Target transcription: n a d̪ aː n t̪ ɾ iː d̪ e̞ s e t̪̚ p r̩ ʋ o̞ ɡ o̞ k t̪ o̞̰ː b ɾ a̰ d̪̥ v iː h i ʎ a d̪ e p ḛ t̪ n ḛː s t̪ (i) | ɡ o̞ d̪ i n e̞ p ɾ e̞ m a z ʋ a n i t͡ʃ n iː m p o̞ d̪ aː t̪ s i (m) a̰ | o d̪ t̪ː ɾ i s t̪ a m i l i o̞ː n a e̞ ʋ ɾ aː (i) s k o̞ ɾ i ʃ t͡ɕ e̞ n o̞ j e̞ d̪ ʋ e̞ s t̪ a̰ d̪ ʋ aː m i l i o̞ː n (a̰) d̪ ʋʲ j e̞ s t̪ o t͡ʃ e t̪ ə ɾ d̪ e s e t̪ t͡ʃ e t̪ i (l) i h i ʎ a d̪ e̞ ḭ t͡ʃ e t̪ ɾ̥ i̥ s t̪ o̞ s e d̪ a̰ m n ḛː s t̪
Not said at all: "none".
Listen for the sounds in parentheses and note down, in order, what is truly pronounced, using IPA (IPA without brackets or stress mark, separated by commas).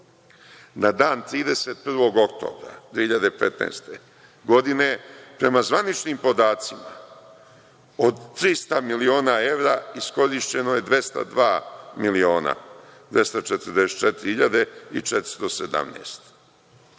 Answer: e, m, i, a̰, ɾ